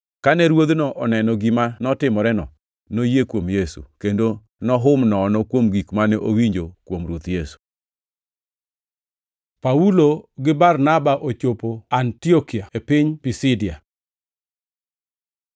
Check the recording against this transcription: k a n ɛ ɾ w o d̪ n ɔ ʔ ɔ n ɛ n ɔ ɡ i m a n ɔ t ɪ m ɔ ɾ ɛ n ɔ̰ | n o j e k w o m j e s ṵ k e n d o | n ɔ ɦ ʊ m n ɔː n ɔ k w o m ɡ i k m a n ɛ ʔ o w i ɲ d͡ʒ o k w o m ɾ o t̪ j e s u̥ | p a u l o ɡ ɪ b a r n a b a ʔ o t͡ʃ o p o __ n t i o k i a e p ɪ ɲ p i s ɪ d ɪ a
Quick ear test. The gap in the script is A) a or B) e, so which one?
A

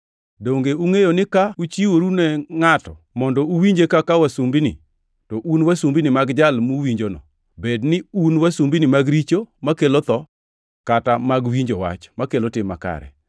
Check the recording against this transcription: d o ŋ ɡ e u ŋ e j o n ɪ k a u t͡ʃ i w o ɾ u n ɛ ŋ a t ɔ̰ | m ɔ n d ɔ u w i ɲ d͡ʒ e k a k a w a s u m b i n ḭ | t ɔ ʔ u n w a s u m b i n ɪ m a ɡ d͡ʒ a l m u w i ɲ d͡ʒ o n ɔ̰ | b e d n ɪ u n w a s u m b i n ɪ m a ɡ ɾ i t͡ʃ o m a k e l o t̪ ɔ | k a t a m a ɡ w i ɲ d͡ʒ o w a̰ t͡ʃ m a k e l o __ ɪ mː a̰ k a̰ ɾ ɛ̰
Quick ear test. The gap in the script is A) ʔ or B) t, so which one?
B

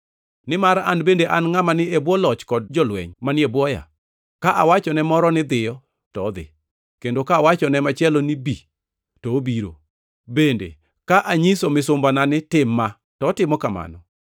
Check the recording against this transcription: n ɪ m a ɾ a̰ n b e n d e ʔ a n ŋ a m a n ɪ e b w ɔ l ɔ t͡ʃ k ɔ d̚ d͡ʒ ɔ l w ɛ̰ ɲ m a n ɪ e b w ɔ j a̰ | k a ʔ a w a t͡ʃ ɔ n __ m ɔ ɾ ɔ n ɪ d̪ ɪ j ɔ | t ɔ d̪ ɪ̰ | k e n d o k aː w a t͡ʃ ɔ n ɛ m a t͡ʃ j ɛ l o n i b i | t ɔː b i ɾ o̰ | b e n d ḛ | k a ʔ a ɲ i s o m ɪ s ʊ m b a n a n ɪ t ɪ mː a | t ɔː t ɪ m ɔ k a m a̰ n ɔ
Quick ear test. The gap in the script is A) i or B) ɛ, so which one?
B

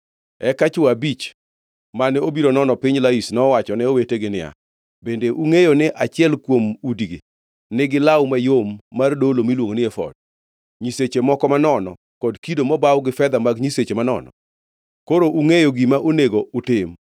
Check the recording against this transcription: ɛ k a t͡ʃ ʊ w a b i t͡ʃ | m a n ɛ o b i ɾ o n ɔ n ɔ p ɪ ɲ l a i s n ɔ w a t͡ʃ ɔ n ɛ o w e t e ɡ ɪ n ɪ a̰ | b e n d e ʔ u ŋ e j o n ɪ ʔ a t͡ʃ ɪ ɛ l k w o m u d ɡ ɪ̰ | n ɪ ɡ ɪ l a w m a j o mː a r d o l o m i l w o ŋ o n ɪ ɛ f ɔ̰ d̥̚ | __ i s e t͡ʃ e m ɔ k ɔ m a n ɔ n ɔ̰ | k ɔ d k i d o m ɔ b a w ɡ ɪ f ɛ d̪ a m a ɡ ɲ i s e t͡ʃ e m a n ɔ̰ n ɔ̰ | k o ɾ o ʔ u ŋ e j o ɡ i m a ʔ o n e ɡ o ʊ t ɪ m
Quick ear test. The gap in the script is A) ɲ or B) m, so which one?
A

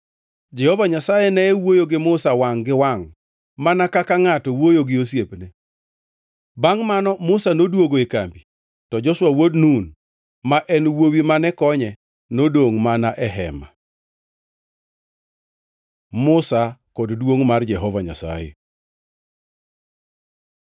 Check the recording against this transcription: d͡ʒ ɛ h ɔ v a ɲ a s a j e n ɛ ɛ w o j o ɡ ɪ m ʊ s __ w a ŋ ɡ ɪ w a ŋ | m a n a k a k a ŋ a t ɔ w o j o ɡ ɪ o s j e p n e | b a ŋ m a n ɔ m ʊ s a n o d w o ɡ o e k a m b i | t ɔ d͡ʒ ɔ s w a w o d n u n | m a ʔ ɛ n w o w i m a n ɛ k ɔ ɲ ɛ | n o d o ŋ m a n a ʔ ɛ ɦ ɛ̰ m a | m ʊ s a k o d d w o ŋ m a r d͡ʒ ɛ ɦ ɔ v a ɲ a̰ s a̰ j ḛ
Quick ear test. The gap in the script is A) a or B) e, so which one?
A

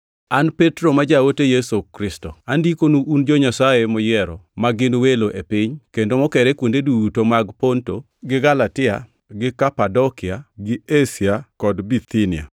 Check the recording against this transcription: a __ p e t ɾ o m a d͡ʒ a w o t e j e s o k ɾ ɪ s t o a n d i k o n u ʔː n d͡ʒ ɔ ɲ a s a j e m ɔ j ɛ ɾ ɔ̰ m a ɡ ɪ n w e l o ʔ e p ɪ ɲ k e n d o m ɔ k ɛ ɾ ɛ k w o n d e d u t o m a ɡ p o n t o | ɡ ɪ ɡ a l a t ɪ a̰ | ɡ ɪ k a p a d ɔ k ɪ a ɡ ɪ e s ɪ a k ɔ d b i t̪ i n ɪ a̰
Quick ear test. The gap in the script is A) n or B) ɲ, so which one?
A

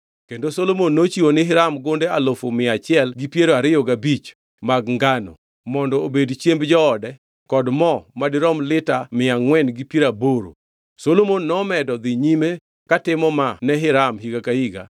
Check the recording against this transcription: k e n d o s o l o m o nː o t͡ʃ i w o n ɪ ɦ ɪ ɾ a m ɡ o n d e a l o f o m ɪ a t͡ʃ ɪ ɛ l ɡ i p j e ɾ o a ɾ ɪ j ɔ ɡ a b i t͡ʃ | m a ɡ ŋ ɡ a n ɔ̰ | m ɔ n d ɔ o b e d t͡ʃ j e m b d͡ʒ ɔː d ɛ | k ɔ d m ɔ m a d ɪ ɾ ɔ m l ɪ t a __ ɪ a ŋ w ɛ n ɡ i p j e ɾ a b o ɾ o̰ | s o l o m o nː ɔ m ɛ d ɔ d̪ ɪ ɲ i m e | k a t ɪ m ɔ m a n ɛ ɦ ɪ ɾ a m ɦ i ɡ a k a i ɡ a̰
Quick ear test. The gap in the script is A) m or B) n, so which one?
A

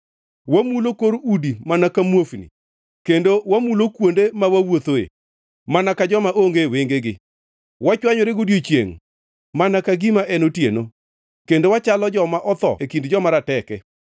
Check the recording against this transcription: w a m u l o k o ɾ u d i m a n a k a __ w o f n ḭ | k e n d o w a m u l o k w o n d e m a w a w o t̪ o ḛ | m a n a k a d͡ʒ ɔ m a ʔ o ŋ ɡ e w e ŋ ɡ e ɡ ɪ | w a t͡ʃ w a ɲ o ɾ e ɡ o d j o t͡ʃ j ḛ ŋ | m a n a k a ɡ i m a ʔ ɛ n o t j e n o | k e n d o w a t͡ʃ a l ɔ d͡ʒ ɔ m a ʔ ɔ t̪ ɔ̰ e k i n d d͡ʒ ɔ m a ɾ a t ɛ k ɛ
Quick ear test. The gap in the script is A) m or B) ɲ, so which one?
A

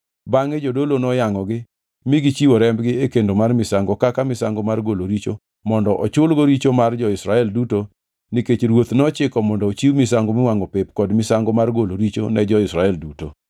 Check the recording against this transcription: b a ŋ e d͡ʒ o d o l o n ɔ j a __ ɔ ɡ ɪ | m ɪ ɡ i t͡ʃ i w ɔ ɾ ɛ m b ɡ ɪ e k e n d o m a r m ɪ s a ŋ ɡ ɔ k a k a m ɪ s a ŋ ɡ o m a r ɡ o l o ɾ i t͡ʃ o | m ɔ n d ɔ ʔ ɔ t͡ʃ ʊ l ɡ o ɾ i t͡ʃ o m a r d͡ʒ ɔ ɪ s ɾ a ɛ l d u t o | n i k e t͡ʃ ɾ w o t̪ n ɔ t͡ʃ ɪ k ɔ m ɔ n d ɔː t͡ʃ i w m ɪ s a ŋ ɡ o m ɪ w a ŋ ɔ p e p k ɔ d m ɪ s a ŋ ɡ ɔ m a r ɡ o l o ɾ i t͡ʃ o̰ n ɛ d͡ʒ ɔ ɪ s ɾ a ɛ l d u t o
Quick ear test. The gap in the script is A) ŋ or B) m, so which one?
A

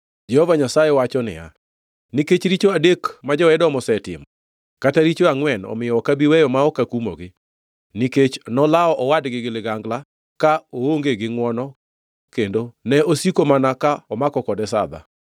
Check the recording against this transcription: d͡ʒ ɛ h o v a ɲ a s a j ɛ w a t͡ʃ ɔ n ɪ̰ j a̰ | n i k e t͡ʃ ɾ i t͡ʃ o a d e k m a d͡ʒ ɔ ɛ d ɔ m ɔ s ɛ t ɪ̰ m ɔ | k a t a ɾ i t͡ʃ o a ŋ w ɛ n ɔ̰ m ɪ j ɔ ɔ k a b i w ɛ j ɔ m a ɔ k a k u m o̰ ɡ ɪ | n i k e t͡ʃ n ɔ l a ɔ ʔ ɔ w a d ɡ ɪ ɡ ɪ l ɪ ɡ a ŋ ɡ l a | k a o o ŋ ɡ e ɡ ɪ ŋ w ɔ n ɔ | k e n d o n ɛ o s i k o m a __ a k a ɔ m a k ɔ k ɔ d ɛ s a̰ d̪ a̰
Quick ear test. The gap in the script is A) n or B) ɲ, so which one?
A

